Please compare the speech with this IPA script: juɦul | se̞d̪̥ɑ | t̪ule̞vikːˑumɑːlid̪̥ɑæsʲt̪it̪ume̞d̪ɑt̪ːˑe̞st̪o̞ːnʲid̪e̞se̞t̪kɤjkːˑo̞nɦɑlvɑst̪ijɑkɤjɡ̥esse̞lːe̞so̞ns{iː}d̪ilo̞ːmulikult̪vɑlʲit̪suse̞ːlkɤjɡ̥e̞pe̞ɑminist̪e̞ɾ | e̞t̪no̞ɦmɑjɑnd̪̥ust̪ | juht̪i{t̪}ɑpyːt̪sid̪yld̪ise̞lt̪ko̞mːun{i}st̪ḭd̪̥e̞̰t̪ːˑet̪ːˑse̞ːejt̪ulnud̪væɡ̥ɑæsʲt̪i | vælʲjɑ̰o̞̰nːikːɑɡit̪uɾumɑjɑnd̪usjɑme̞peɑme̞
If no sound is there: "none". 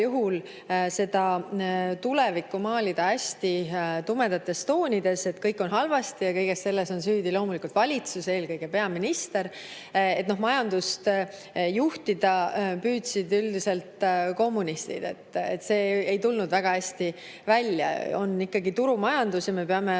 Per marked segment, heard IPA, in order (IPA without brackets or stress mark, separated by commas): yː, d̪, i